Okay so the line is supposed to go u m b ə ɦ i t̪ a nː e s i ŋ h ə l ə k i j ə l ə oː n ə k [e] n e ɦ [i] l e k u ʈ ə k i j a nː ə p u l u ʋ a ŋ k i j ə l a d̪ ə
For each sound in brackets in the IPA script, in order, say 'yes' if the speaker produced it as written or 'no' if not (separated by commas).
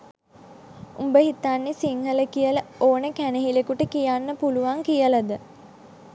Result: no, yes